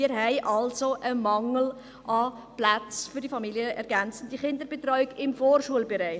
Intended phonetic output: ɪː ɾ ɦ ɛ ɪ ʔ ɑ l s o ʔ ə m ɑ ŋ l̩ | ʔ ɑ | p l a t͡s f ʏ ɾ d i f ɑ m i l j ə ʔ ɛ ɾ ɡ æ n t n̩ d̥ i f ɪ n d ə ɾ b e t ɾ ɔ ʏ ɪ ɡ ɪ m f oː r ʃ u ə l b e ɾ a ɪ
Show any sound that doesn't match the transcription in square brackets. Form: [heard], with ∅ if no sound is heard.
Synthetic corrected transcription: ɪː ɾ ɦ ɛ ɪ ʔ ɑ l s o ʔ ə m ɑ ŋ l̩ | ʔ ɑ | p l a t͡s f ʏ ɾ d i f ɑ m i l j ə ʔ ɛ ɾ ɡ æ n [t͡s] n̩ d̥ i [χ] ɪ n d ə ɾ b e t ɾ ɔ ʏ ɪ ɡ ɪ m f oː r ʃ u ə l b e ɾ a ɪ